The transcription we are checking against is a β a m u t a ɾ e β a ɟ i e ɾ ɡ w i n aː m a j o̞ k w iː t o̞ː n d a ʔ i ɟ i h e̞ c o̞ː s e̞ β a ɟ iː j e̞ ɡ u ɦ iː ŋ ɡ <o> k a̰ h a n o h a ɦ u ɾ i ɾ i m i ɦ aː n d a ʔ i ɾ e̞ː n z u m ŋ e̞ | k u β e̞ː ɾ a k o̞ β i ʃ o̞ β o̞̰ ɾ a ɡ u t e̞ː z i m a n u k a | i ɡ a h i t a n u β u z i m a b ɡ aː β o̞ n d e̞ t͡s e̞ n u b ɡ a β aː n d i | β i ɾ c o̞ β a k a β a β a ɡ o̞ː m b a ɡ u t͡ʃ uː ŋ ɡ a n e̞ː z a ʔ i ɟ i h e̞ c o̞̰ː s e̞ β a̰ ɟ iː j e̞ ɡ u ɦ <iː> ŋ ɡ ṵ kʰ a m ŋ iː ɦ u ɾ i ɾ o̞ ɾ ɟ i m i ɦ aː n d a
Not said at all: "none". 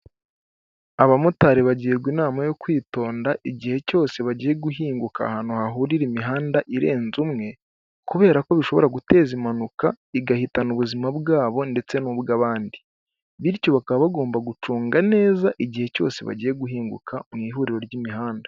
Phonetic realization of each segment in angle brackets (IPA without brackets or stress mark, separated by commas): u, iː